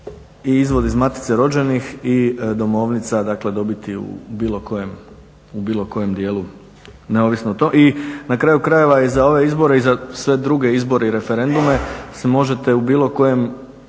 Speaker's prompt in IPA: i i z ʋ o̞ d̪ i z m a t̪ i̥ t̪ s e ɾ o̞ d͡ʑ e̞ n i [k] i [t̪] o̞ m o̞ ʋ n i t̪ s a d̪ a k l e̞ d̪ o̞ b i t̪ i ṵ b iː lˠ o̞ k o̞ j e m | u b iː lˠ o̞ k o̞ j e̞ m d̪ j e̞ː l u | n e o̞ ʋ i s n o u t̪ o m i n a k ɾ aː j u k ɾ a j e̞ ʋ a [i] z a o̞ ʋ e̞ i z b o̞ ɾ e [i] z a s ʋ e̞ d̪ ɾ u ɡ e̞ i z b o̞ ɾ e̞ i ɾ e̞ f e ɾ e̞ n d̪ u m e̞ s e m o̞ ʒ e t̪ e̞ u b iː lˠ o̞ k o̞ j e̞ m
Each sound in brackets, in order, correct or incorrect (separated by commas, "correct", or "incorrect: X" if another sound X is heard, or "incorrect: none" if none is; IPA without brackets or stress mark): incorrect: x, incorrect: d̪, correct, correct